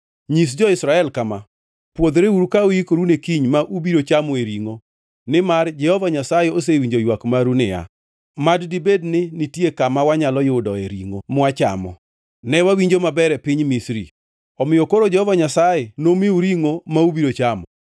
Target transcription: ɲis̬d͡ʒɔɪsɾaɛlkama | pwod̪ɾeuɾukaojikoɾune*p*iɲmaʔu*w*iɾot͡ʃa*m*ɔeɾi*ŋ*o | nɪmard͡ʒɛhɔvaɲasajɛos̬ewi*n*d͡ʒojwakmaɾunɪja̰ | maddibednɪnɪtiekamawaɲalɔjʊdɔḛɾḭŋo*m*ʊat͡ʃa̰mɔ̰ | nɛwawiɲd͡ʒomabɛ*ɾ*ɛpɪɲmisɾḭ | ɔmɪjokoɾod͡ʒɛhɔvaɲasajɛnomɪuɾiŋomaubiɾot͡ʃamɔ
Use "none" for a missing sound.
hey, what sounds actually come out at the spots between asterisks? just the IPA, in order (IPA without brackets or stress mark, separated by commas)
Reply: k, b, m, ŋ, ɲ, m, ɾ